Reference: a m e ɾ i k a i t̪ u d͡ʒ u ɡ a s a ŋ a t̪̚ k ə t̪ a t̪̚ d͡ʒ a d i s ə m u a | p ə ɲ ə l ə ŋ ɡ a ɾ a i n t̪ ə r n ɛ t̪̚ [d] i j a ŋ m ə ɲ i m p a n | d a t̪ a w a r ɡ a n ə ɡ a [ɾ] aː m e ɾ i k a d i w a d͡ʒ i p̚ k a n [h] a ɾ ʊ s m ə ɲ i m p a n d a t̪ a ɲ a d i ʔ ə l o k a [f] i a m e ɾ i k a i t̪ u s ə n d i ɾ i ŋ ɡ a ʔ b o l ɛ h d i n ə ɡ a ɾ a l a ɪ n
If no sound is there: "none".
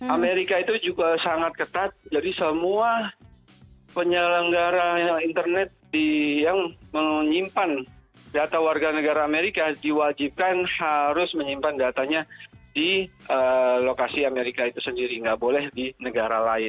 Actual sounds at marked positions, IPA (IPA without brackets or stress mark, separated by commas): d, ɾ, h, s